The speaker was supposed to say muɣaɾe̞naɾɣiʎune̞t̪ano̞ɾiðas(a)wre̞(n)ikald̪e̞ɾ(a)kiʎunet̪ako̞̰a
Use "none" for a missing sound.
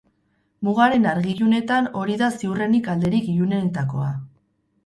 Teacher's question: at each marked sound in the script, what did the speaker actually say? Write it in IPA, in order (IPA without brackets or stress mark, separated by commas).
i, n, i